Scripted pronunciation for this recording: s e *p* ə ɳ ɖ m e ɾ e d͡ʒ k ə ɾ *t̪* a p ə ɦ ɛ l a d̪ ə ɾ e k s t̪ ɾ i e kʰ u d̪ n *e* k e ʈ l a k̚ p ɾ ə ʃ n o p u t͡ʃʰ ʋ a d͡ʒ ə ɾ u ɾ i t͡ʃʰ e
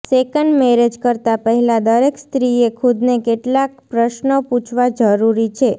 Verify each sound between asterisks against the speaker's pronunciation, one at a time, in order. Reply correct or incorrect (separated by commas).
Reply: incorrect, correct, correct